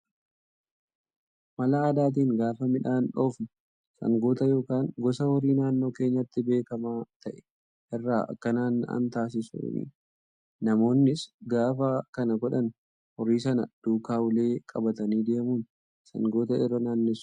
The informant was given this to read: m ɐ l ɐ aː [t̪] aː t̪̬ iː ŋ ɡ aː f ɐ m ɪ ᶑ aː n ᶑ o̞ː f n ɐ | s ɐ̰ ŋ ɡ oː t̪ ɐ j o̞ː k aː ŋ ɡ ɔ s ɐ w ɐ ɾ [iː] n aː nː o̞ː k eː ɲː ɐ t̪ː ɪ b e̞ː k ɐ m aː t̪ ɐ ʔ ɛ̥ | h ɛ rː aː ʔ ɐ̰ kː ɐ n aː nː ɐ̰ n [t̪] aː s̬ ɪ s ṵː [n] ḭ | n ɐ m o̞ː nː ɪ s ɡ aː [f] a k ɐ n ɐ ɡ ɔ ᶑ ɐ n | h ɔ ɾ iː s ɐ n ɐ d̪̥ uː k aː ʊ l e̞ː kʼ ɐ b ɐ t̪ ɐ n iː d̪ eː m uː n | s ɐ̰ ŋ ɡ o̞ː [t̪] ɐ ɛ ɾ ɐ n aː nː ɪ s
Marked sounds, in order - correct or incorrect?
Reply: incorrect: d̪, correct, correct, correct, correct, correct

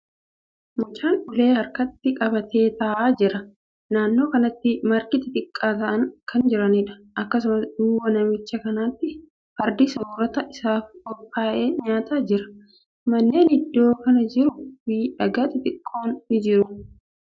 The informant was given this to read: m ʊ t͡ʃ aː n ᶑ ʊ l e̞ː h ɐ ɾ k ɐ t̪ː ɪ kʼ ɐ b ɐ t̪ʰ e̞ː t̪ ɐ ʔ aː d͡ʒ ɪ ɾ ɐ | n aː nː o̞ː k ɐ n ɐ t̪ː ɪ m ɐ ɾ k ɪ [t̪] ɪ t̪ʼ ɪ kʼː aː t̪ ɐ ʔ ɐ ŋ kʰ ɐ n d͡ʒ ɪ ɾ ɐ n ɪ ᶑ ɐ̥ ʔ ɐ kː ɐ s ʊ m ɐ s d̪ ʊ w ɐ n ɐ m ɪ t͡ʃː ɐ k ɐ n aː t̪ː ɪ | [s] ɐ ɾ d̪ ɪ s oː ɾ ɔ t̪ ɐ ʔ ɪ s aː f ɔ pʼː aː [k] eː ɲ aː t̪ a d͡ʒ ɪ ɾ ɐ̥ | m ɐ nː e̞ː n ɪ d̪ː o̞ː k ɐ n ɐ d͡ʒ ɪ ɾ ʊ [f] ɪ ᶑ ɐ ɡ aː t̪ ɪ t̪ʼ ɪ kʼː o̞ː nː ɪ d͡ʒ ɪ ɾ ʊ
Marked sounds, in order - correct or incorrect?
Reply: correct, incorrect: f, incorrect: ʔ, correct

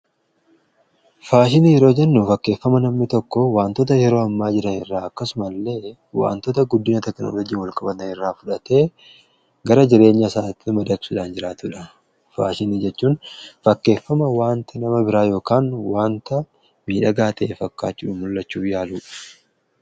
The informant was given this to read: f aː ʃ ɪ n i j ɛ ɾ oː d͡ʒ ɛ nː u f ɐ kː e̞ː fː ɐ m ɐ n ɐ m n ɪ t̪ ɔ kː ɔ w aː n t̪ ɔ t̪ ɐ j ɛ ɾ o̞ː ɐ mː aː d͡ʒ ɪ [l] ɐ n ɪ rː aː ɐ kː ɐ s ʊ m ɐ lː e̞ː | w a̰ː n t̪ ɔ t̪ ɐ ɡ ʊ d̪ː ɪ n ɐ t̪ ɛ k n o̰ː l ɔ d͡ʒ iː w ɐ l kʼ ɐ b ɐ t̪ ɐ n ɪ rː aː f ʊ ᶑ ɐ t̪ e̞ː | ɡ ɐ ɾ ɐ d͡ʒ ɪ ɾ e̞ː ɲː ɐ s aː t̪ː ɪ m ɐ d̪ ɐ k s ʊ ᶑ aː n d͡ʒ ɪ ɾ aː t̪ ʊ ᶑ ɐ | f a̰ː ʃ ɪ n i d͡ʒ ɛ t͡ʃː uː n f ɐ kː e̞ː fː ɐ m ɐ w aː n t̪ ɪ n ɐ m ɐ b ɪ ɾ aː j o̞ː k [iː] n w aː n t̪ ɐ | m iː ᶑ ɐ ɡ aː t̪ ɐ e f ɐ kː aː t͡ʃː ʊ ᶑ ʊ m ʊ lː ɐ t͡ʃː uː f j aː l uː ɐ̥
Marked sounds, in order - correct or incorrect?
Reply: incorrect: ɾ, incorrect: aː

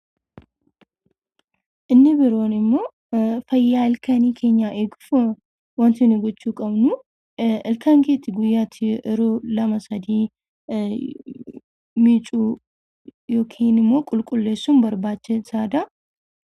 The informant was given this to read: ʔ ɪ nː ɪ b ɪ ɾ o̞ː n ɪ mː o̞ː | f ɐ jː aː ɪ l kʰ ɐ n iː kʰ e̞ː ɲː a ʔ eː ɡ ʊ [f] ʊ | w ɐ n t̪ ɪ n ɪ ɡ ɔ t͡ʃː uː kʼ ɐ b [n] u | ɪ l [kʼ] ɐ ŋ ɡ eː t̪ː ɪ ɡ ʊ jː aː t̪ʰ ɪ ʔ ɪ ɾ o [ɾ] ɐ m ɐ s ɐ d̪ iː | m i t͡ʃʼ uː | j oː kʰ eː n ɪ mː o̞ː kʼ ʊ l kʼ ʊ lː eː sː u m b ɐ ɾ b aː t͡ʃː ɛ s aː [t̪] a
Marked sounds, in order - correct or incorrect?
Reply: correct, correct, incorrect: k, incorrect: l, incorrect: d̪

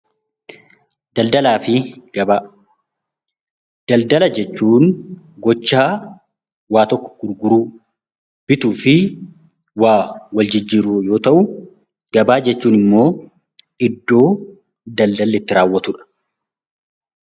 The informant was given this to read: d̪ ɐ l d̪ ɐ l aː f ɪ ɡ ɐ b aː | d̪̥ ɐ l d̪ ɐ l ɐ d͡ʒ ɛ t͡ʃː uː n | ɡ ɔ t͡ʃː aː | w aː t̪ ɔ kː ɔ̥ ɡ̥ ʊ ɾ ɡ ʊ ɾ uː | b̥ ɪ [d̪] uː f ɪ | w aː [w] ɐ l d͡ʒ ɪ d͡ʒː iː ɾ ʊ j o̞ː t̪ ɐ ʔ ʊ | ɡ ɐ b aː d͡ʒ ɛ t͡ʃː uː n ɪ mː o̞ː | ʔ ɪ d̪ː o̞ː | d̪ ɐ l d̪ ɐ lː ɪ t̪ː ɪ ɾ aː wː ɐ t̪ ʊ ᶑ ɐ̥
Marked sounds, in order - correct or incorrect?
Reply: incorrect: t̪, correct

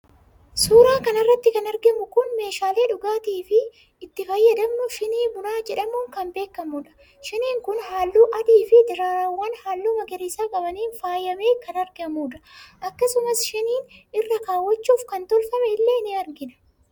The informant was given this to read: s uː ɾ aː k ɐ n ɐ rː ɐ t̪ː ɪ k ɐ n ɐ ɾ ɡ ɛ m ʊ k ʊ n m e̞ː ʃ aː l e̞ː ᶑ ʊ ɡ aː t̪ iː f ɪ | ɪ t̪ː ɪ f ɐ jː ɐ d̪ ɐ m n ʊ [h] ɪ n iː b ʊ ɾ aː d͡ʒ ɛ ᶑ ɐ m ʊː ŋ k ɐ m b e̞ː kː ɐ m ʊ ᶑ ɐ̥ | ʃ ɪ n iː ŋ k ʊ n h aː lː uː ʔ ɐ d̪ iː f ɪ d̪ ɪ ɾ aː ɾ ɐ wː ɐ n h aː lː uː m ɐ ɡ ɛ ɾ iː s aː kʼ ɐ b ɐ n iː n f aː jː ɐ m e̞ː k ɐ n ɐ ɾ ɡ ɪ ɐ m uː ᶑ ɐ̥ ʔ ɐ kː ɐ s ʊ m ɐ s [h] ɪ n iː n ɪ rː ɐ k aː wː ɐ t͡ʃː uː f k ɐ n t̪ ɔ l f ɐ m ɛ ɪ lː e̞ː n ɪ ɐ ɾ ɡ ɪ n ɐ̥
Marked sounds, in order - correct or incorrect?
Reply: incorrect: ʃ, incorrect: ʃ

